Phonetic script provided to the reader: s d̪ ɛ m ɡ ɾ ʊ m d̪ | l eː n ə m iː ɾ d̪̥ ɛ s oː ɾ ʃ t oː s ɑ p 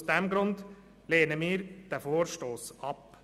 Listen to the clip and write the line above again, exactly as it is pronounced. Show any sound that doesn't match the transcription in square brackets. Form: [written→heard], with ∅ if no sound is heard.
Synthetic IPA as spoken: s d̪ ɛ m ɡ ɾ ʊ [m→n] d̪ | l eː n ə m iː ɾ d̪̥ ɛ [s→f] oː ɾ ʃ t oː s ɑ p